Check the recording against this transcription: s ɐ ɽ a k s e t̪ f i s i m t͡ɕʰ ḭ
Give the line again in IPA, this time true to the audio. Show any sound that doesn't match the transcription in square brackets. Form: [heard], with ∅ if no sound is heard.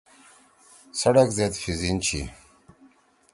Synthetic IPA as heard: s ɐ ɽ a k [z] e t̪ f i [z] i [n] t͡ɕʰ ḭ